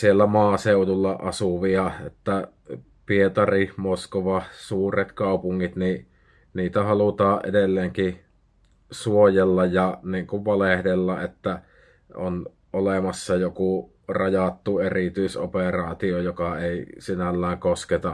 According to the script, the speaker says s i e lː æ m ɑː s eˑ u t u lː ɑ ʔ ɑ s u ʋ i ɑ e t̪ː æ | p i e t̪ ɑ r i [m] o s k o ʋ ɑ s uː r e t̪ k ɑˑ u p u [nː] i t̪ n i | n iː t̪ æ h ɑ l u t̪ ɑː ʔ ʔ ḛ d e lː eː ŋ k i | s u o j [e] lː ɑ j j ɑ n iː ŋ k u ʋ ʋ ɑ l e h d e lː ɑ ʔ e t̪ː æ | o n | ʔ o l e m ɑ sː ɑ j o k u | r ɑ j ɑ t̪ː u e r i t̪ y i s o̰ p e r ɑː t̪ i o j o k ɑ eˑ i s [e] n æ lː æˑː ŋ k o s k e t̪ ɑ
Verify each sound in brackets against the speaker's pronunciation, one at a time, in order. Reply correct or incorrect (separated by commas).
correct, incorrect, correct, incorrect